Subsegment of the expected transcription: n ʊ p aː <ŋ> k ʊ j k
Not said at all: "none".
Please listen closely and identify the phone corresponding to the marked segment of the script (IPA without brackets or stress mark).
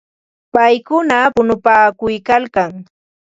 none